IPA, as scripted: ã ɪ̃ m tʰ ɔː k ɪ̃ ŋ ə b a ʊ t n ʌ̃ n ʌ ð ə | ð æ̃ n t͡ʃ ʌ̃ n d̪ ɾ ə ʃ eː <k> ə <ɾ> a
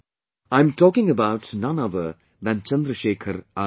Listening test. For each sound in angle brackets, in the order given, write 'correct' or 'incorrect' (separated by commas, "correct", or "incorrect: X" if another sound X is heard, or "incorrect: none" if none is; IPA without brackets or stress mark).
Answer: incorrect: kʰ, correct